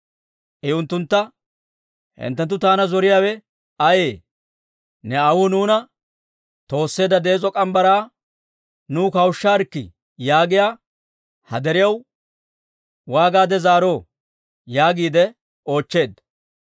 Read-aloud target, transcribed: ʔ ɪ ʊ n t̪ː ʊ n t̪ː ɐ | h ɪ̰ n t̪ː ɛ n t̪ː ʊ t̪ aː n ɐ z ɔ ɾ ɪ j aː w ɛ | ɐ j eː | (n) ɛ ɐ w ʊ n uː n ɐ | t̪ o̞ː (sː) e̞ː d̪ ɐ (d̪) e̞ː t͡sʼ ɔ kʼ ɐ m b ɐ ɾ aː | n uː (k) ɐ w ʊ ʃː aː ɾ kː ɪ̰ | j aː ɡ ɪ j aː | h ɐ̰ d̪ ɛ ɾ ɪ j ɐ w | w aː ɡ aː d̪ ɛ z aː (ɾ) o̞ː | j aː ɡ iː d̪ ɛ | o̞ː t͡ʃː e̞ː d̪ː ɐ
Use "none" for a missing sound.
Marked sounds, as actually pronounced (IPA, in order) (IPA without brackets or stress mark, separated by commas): n, sː, d̪, k, ɾ